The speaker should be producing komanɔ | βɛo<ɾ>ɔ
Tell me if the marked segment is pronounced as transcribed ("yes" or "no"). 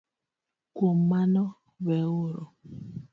yes